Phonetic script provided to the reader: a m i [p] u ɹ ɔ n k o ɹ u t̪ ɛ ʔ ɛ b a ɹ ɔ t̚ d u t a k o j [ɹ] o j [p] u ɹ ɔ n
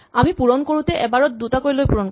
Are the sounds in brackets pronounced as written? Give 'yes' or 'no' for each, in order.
yes, no, yes

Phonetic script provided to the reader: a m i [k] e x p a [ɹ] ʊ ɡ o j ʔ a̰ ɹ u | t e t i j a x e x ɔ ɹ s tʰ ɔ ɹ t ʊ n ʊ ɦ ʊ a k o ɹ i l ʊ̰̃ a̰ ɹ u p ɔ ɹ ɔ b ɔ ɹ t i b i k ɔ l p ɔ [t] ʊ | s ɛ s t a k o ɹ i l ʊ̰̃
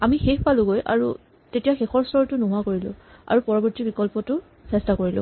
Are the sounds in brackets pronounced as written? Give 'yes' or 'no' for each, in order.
no, no, yes

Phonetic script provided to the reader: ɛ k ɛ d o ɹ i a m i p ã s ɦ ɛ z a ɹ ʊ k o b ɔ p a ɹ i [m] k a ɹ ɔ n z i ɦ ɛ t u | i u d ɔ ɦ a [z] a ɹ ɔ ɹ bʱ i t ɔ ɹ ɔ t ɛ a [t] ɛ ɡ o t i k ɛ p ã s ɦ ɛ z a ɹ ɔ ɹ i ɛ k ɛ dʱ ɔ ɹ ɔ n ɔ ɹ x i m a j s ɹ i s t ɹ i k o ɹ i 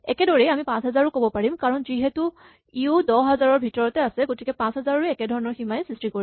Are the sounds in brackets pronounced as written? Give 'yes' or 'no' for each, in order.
yes, yes, no

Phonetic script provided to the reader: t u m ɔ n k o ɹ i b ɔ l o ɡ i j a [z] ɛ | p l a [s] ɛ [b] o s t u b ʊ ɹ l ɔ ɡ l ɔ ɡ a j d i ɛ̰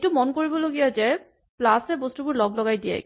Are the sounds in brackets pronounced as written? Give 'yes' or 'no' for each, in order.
yes, yes, yes

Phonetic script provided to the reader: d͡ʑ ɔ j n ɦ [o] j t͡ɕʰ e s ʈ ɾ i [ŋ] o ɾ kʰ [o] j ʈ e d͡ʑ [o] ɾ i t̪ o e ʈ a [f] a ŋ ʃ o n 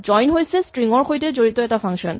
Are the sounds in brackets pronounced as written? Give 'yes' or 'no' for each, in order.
yes, yes, yes, yes, yes

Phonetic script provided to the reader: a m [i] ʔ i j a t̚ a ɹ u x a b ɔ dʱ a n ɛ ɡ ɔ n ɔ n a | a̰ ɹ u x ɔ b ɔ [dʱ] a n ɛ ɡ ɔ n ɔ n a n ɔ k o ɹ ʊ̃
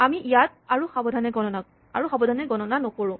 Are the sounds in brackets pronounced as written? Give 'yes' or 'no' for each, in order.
yes, yes

